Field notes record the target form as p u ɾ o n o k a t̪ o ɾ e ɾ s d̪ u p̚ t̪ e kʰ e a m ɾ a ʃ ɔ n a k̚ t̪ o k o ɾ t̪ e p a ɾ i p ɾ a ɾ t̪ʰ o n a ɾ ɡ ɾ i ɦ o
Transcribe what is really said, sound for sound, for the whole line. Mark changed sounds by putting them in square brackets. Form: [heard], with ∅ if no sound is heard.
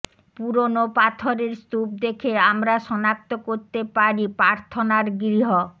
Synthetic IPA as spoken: p u ɾ o n o [p] a [t̪ʰ] o ɾ e ɾ s [t̪] u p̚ [d̪] e kʰ e a m ɾ a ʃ ɔ n a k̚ t̪ o k o ɾ t̪ e p a ɾ i p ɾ a ɾ t̪ʰ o n a ɾ ɡ ɾ i ɦ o